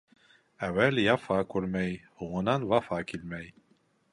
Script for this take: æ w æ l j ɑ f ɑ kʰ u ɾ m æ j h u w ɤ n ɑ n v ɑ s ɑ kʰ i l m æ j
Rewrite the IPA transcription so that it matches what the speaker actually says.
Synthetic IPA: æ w æ l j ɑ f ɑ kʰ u ɾ m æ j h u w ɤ n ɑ n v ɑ f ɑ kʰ i l m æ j